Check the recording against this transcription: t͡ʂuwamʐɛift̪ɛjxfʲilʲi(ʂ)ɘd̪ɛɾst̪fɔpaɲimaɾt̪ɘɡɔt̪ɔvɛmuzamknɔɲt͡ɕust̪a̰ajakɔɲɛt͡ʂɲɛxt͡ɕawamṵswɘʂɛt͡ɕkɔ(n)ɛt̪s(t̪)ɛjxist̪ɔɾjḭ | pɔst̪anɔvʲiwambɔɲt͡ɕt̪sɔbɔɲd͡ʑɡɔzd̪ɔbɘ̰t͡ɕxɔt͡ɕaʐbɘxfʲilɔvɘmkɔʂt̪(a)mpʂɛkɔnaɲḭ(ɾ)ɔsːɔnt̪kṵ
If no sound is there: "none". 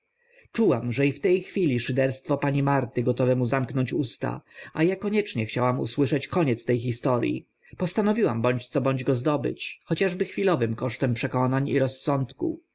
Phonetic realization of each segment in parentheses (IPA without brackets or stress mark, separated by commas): ʂ, ɲ, t̪, ɛ, ɾ